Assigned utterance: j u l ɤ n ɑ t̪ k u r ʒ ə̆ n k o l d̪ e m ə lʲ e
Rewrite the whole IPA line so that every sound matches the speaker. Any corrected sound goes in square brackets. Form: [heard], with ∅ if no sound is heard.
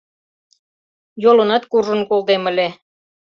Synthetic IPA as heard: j [o] l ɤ n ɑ t̪ k u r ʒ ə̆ n k o l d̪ e m ə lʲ e